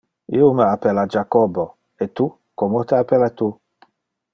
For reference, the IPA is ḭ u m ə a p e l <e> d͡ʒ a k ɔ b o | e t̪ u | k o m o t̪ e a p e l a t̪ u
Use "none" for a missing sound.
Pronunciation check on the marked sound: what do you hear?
a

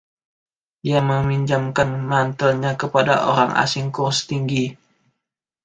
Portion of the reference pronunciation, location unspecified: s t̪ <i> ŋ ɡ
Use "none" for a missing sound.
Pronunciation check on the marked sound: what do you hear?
i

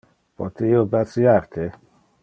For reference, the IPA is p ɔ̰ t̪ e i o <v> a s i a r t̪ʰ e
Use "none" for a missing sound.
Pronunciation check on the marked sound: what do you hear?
b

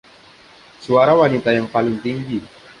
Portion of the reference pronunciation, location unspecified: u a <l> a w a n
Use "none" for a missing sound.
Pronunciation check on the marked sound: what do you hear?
ɾ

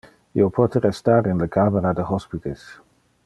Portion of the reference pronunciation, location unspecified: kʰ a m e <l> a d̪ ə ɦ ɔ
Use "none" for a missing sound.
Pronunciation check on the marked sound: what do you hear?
ɾ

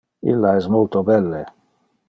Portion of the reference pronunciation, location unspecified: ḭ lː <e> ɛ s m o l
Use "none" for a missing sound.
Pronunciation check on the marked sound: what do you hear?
a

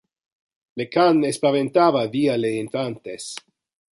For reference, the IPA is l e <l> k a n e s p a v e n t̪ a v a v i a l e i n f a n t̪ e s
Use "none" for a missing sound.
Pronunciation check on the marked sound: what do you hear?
none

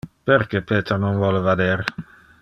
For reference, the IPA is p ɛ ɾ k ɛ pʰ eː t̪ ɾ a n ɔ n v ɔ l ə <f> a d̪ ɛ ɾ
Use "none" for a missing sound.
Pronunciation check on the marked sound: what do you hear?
v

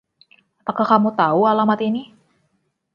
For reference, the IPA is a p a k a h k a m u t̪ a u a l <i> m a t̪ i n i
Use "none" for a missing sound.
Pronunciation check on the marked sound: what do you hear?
a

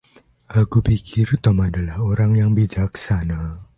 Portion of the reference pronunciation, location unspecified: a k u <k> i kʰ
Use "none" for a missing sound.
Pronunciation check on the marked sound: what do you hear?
p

